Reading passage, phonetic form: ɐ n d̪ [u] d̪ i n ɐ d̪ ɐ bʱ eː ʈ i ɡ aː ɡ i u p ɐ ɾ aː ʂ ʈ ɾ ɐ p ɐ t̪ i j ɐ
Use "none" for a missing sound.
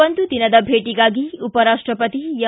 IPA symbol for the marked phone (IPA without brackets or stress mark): u